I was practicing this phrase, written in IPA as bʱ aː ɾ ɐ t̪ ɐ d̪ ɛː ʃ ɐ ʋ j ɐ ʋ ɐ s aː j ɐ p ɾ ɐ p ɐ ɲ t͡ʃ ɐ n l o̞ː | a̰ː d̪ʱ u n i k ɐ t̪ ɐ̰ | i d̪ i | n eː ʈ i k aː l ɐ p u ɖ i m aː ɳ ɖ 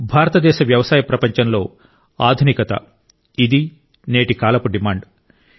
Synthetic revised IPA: bʱ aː ɾ ɐ t̪ ɐ d̪ ɛː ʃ ɐ ʋ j ɐ ʋ ɐ s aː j ɐ p ɾ ɐ p ɐ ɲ t͡ʃ ɐ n l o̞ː | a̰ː d̪ʱ u n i k ɐ t̪ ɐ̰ | i d̪ i | n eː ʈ i k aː l ɐ p u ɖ i m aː ɳ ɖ

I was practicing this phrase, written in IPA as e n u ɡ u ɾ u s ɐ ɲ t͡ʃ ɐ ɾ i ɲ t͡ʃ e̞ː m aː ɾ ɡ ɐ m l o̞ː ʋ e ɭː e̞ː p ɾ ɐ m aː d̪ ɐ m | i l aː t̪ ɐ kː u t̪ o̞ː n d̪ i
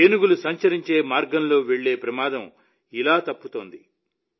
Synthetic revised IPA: e n u ɡ u l u s ɐ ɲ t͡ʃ ɐ ɾ i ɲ t͡ʃ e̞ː m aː ɾ ɡ ɐ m l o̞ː ʋ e ɭː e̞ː p ɾ ɐ m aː d̪ ɐ m | i l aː t̪ ɐ pː u t̪ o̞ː n d̪ i

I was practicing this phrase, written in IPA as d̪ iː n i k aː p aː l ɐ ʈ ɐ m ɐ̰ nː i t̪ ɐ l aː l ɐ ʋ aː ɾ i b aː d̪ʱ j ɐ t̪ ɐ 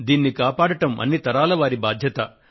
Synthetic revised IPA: d̪ iː nː i k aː p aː ɽ ɐ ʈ ɐ m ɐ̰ nː i t̪ ɐ ɾ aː l ɐ ʋ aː ɾ i b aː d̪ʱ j ɐ t̪ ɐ

